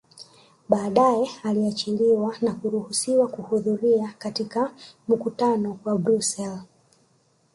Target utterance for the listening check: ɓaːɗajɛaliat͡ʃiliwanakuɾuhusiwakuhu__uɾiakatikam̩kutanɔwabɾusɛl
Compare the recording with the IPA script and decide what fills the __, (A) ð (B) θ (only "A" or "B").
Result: A